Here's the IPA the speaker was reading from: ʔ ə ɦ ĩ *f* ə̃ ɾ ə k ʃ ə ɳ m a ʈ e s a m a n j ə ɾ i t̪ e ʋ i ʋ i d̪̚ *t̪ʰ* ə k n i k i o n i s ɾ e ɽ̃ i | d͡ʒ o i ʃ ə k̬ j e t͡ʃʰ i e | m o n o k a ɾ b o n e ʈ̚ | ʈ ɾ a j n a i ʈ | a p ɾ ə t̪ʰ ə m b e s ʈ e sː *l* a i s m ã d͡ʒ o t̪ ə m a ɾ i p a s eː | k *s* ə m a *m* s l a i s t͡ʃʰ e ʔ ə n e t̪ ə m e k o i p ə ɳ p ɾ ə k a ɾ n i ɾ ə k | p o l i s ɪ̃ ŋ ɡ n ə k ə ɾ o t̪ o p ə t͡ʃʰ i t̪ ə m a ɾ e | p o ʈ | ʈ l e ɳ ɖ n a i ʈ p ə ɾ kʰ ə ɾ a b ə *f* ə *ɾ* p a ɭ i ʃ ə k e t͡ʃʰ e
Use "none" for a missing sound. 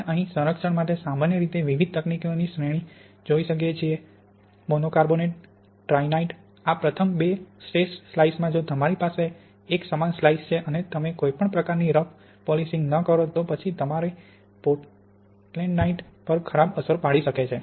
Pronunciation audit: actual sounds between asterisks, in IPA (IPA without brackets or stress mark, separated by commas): s, t̪, l, s, n, s, ɾ